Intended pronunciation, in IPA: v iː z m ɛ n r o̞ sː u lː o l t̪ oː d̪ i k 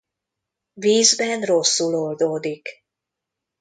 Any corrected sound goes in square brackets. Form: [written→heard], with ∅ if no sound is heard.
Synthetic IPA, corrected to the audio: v iː z [m→b] ɛ n r o̞ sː u [lː→l] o l [t̪→d̪] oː d̪ i k